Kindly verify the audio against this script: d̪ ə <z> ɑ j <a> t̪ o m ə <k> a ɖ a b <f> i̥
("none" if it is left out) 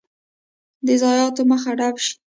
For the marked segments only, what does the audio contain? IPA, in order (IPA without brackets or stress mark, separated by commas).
z, ɑ, x, ʃ